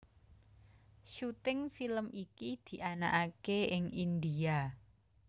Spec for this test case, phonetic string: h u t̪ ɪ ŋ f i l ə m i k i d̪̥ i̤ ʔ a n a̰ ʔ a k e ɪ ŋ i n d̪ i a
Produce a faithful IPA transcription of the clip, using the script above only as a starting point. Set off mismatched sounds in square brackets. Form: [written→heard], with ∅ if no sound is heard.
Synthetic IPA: [h→ʃ] u t̪ ɪ ŋ f i l ə m i k i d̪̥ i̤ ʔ a n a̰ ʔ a k e ɪ ŋ i n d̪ i a